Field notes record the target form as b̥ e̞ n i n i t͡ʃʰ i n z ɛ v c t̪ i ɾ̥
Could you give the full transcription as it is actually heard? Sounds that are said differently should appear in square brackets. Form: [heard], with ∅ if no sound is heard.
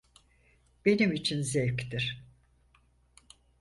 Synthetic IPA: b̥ e̞ n i [m] i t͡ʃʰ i n z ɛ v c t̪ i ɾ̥